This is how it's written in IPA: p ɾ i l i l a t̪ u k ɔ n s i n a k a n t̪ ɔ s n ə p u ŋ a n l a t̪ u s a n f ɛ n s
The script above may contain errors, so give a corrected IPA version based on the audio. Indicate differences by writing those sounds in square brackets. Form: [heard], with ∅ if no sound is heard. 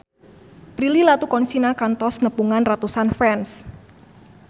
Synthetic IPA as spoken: p ɾ i l i l a t̪ u k ɔ n s i n a k a n t̪ ɔ s n ə p u ŋ a n [r] a t̪ u s a n f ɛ n s